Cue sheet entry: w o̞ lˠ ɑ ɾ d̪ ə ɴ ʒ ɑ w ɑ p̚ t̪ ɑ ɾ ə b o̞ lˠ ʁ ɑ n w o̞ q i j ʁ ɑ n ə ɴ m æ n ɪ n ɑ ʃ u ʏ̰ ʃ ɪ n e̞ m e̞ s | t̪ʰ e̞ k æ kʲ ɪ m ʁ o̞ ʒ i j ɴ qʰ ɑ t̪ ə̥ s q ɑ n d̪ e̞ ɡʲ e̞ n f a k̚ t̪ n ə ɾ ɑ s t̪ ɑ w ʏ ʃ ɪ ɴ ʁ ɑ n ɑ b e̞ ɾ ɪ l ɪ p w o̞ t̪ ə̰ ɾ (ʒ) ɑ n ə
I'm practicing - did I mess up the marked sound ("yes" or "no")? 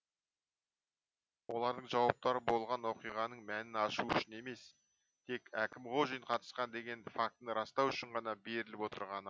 yes